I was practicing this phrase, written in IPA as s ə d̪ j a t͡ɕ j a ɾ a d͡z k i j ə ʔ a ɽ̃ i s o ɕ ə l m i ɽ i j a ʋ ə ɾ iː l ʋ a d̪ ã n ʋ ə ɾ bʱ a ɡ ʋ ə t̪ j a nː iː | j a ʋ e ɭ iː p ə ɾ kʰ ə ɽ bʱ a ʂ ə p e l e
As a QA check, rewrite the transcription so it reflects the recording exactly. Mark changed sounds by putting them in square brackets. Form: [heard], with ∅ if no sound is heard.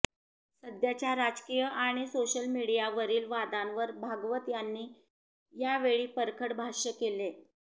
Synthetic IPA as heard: s ə d̪ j a t͡ɕ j a ɾ a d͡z k i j ə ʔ a ɽ̃ i s o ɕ ə l m i ɽ i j a ʋ ə ɾ iː l ʋ a d̪ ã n ʋ ə ɾ bʱ a ɡ ʋ ə t̪ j a nː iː | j a ʋ e ɭ iː p ə ɾ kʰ ə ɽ bʱ a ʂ ə [k] e l e